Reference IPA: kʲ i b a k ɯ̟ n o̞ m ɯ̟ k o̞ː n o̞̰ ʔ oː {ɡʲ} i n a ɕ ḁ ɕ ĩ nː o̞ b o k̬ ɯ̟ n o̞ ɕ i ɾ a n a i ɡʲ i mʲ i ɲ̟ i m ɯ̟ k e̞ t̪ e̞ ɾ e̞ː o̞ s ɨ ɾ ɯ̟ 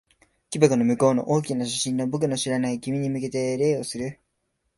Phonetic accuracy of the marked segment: incorrect: kʲ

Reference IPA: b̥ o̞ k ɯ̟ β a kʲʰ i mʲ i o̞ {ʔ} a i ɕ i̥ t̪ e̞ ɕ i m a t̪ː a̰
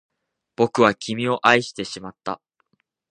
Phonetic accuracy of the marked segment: correct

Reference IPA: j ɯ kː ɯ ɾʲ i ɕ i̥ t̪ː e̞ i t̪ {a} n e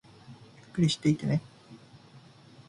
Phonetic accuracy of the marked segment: incorrect: e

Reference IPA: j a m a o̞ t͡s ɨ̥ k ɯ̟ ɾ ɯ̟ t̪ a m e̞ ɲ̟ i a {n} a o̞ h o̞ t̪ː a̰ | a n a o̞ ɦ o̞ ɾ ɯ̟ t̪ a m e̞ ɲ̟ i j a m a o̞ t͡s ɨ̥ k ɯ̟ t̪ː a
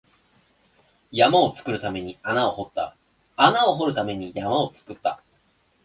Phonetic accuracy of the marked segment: correct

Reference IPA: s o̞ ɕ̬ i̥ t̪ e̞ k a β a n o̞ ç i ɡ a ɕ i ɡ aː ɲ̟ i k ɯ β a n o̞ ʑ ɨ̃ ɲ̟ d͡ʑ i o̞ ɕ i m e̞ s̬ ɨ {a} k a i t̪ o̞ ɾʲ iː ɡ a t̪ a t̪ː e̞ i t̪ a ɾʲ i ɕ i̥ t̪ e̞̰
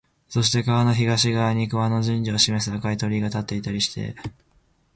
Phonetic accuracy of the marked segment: correct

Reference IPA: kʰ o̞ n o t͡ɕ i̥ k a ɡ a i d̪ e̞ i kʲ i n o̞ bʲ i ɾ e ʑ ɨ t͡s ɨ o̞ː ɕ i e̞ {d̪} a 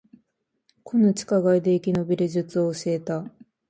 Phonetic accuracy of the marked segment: incorrect: t̪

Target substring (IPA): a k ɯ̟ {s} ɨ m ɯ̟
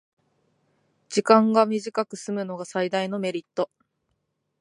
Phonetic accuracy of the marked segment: correct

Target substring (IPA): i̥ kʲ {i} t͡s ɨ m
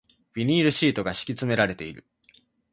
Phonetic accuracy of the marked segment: correct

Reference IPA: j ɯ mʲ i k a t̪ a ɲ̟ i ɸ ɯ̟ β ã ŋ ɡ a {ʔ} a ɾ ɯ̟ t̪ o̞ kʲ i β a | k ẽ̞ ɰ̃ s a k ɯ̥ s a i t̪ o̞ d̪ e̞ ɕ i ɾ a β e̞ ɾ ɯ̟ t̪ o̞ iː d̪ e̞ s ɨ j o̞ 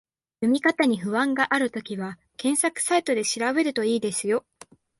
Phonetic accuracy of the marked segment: correct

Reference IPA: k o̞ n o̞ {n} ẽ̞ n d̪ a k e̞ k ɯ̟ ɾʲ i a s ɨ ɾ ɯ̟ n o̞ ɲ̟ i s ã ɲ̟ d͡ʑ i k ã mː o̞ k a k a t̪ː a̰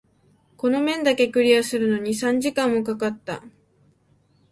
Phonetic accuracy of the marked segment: incorrect: m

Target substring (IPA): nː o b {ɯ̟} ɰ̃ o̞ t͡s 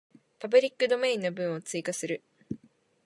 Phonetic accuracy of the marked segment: incorrect: ɯ̟̃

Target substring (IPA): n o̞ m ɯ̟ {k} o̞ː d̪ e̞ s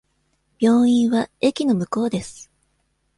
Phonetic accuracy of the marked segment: correct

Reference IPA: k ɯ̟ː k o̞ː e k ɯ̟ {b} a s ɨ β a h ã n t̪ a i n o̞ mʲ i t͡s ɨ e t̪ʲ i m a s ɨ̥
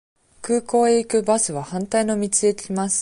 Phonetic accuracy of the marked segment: correct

